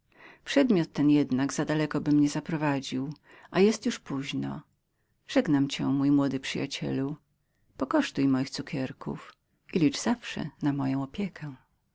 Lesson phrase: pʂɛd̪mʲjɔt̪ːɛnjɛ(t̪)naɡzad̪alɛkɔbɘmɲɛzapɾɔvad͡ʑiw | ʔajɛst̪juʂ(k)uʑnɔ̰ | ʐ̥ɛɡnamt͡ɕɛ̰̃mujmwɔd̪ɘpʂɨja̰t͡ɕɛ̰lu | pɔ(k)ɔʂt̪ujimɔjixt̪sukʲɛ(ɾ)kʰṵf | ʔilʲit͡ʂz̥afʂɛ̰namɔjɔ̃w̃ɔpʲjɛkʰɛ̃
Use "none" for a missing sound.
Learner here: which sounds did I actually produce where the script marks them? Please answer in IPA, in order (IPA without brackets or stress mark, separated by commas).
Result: d̪, p, k, ɾ